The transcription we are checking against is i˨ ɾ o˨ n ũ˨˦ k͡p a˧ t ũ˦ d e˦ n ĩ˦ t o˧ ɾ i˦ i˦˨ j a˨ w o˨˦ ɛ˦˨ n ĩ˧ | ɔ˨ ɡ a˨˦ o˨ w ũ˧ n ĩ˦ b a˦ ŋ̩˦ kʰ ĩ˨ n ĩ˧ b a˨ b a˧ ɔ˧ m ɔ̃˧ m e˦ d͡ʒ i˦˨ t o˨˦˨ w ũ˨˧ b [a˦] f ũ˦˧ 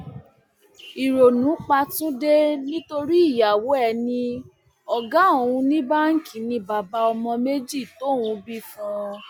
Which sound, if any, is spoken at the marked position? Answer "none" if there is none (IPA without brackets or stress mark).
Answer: i˦